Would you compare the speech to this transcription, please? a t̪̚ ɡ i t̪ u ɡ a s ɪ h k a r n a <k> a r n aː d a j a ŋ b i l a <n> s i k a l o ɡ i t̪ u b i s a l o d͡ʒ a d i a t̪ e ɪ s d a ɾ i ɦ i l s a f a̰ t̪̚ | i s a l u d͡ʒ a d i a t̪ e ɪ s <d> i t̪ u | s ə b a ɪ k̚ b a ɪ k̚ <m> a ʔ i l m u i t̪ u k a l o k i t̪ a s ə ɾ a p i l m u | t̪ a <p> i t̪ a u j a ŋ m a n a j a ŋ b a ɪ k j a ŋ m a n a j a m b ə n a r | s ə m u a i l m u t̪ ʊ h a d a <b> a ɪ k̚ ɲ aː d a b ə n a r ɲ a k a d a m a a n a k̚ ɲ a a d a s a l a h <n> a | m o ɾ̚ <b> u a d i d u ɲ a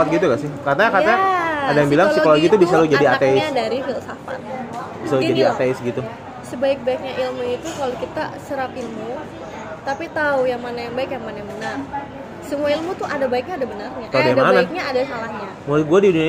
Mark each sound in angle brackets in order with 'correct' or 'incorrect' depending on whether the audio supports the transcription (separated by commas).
correct, incorrect, incorrect, incorrect, correct, correct, incorrect, incorrect